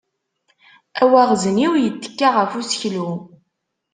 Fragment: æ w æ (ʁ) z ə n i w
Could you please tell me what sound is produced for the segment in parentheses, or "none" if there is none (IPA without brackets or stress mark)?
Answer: ʁ